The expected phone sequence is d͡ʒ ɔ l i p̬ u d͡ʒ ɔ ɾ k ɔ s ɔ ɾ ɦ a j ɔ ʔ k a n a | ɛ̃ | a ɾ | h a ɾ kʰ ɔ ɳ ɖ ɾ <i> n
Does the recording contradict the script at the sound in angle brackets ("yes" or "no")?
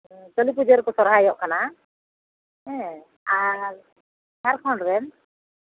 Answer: yes